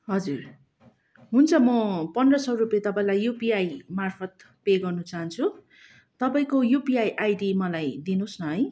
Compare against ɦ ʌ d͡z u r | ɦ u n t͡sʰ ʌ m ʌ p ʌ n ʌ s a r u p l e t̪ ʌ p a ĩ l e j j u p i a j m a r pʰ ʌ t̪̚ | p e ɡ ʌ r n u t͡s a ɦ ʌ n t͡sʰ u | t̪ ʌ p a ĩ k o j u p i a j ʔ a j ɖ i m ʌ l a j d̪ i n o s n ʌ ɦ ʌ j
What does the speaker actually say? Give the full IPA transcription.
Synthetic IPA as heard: ɦ ʌ d͡z u r | ɦ u n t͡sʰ ʌ m ʌ p ʌ n ʌ s ʌ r u p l e t̪ ʌ p a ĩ l a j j u p i a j m a r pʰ ʌ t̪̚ | p e ɡ ʌ r n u t͡s a ɦ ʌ n t͡sʰ u | t̪ ʌ p a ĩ k o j u p i a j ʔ a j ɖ i m ʌ l a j d̪ i n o s n ʌ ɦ ʌ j